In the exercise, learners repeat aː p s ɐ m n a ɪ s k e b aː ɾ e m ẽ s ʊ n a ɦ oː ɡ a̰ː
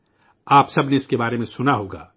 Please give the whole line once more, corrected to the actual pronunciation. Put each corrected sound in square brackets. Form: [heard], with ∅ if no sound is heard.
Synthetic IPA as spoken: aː p s ɐ [b] n [e] ɪ s k e b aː ɾ e m ẽ s ʊ n a ɦ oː ɡ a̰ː